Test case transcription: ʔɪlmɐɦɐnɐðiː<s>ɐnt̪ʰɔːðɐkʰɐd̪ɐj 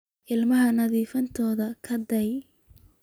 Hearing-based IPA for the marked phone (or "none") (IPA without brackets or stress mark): f